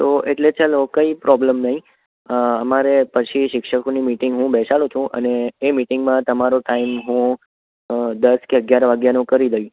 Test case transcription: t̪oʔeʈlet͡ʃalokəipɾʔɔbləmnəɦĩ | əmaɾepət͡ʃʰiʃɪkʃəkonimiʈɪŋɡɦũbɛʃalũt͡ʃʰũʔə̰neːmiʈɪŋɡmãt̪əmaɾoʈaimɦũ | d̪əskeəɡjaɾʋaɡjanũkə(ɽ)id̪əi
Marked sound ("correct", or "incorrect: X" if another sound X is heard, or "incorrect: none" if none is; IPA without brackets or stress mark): incorrect: ɾ